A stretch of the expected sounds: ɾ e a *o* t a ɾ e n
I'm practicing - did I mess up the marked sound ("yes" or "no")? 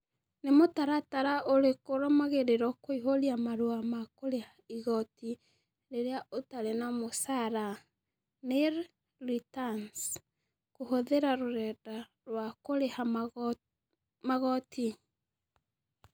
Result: no